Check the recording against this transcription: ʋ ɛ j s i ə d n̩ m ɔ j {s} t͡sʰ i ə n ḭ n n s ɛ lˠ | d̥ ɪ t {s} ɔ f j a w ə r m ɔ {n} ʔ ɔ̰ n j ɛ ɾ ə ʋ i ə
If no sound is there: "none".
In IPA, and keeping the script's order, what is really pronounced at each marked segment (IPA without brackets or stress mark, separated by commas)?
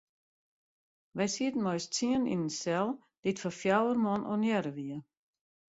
s, f, n